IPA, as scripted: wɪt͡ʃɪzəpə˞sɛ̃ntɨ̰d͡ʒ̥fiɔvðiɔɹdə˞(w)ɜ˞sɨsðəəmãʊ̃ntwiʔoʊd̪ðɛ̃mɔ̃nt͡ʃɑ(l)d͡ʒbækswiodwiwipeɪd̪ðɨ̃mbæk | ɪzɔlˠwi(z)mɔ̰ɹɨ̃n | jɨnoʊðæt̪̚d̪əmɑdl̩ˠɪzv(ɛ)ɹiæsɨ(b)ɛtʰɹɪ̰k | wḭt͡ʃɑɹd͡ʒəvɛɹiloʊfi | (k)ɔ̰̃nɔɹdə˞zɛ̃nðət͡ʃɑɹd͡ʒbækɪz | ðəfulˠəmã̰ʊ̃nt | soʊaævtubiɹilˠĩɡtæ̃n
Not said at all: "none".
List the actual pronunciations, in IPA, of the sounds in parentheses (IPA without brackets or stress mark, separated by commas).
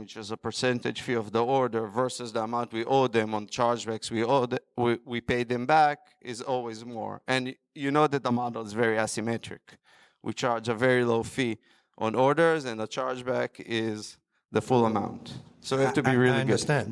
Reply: v, ɹ, z, ɛ, m, ʔ